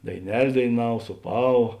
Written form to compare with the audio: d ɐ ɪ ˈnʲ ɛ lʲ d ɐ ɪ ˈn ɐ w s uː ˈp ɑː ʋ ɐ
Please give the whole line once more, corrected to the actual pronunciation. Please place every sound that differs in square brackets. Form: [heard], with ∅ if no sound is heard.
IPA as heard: d ɐ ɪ ˈnʲ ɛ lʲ d ɐ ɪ ˈn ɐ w s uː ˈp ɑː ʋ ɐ